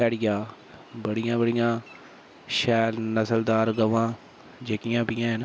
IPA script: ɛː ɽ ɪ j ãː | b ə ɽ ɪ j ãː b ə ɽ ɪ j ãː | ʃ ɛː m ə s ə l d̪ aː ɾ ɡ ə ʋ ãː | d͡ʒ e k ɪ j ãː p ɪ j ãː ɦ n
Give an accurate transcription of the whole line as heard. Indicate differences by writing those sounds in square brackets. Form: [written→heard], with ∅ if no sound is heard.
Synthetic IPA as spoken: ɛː ɽ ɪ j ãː | b ə ɽ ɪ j ãː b ə ɽ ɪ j ãː | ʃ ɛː [m→n] ə s ə l d̪ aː ɾ ɡ ə ʋ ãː | d͡ʒ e k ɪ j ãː p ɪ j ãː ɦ n